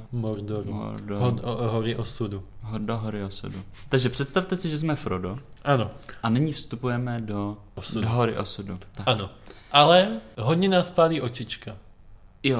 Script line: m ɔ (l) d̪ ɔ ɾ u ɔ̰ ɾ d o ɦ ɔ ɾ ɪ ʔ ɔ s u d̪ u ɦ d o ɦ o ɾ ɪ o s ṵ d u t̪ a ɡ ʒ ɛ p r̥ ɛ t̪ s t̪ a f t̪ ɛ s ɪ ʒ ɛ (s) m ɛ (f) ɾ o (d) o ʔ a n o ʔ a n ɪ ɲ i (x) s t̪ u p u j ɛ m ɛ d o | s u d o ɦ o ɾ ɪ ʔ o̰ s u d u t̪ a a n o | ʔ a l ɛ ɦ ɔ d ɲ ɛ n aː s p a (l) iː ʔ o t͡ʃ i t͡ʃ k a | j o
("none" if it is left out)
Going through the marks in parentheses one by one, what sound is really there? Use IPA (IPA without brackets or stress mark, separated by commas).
ɾ, z, f, d, f, l